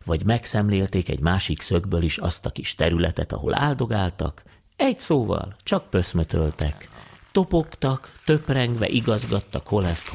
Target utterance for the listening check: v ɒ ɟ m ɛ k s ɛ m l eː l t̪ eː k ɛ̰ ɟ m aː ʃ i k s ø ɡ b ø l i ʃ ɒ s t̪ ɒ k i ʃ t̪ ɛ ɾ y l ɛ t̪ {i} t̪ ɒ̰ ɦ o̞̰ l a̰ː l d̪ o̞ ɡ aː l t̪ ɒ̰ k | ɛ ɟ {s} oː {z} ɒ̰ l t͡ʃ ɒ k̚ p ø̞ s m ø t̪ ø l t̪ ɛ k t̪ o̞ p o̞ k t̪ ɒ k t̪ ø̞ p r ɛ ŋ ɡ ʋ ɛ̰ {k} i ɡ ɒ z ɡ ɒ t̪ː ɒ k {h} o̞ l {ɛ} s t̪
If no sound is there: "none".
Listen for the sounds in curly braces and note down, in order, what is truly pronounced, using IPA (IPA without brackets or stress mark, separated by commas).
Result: ɛ, s, v, ʔ, h, ɛ